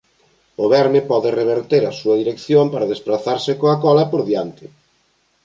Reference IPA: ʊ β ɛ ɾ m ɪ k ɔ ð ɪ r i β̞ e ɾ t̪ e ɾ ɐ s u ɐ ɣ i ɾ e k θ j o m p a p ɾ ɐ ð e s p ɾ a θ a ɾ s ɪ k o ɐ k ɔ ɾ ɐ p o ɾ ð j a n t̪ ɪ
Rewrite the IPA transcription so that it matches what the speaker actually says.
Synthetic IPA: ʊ β ɛ ɾ m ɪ p ɔ ð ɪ r e β̞ e ɾ t̪ e ɾ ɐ s u ɐ ð i ɾ e k θ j o m p a ɾ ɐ ð e s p ɾ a θ a ɾ s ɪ k o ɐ k ɔ l ɐ p o ɾ ð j a n t̪ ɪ